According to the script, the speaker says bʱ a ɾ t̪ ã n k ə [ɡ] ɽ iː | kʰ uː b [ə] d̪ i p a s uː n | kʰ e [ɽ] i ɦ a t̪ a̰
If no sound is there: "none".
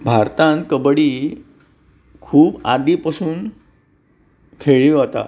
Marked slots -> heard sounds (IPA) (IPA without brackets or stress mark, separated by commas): b, a, ɭ